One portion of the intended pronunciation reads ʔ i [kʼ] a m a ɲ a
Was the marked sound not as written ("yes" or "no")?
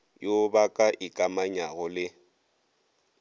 no